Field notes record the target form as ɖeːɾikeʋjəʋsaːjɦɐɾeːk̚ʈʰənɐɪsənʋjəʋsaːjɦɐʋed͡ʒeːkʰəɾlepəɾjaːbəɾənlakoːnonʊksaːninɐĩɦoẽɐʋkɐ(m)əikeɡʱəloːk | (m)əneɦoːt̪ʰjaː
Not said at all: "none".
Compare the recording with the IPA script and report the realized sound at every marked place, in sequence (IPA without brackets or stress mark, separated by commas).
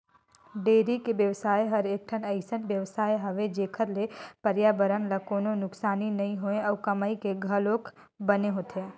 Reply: m, b